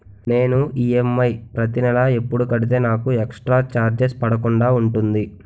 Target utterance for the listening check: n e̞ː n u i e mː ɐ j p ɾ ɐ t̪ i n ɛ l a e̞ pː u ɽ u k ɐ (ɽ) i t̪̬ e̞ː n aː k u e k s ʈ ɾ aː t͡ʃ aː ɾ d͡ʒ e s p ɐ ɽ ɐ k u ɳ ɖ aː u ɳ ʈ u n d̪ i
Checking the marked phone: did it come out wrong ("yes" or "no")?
no